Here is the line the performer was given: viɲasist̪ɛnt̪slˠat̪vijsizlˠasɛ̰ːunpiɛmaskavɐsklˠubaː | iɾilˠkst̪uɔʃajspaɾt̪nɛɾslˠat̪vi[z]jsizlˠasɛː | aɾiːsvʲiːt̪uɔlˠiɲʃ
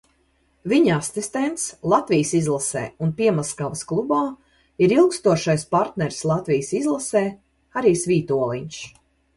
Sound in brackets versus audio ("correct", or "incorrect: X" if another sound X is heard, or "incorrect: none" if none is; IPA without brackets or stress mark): incorrect: none